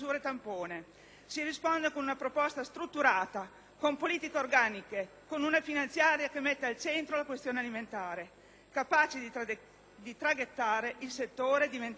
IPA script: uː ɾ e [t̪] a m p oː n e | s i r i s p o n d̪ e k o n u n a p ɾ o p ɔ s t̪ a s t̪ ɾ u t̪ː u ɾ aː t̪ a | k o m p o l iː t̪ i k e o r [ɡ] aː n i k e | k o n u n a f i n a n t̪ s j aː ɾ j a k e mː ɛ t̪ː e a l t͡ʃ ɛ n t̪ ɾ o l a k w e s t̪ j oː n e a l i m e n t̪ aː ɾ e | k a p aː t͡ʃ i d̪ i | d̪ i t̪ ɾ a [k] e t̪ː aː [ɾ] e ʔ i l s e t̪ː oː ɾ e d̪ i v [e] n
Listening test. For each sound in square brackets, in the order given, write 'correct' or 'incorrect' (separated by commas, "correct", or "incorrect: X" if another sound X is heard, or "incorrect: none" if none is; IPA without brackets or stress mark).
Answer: correct, correct, incorrect: ɡ, correct, correct